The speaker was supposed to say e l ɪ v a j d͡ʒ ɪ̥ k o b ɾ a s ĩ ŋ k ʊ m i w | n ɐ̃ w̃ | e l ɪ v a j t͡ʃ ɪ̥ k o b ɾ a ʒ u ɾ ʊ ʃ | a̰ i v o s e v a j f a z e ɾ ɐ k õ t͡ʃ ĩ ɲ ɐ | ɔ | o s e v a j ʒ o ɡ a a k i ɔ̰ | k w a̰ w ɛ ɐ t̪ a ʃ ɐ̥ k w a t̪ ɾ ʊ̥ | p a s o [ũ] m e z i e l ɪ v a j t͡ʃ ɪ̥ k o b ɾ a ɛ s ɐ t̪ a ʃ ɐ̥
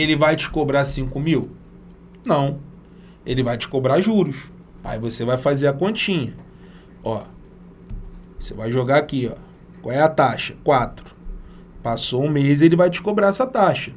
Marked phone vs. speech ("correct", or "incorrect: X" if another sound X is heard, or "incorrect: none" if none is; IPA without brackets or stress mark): correct